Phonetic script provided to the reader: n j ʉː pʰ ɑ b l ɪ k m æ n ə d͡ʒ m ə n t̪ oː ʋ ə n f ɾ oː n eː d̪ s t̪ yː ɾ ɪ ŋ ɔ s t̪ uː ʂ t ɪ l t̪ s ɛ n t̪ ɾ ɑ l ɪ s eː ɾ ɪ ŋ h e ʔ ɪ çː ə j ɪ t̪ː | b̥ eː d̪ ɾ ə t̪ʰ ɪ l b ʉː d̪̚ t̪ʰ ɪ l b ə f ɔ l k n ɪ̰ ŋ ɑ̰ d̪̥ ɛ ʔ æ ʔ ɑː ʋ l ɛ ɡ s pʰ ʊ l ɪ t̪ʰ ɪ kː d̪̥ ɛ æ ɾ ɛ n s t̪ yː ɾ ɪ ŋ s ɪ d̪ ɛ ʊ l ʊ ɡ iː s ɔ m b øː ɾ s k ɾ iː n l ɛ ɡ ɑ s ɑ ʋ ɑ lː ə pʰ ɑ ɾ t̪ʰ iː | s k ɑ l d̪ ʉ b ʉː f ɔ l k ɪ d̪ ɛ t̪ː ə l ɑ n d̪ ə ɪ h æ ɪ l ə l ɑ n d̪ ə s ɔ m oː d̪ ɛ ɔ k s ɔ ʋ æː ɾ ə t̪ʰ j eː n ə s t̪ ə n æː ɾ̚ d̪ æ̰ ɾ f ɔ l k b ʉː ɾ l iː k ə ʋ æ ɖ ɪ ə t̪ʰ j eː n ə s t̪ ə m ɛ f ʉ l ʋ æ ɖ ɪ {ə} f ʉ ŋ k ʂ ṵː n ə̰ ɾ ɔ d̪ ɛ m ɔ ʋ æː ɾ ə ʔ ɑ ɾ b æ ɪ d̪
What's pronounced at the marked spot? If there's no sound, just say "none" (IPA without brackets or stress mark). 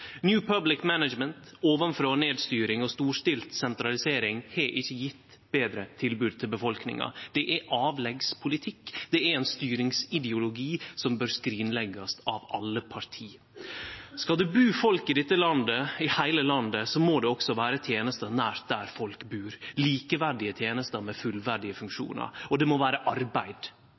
ə